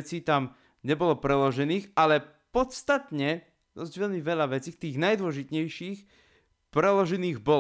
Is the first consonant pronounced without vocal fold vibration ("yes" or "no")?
yes